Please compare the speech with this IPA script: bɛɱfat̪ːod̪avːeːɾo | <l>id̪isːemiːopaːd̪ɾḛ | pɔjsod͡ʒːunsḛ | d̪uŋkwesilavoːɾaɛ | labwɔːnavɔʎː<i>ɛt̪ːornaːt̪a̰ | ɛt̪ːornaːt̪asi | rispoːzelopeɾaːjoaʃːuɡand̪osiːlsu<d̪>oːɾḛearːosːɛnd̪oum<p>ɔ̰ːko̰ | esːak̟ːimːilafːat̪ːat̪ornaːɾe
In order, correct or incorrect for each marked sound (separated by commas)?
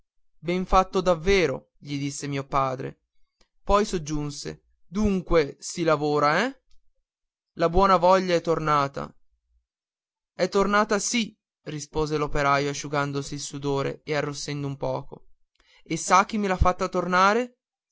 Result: incorrect, incorrect, correct, correct